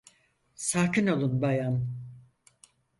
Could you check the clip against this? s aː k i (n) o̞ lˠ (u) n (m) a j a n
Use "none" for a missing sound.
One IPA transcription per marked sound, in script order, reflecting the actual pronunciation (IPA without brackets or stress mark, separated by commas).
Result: n, u, b